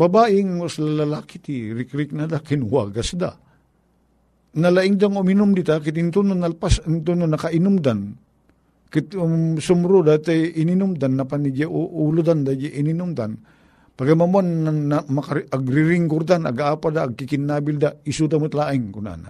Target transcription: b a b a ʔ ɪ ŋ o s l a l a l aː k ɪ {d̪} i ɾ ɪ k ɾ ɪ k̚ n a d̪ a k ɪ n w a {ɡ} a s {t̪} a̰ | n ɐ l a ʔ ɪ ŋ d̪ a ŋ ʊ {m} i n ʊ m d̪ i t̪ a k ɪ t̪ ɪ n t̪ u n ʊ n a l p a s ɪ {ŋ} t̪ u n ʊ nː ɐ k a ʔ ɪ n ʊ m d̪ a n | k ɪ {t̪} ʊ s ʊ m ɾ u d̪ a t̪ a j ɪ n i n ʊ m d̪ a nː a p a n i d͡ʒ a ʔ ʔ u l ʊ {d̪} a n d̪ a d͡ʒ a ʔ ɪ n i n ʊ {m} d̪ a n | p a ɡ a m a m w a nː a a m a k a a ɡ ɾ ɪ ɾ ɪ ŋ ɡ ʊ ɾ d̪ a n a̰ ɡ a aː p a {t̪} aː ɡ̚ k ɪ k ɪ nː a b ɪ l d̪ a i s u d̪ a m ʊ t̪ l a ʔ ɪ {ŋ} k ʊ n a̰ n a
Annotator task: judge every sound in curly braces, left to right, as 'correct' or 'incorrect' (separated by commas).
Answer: incorrect, correct, incorrect, correct, incorrect, correct, correct, correct, incorrect, correct